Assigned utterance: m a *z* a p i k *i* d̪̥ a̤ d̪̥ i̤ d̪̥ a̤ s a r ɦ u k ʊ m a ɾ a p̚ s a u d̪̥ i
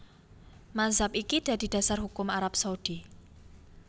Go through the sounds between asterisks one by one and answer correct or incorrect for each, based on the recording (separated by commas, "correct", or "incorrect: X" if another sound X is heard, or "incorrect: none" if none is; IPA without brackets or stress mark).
correct, correct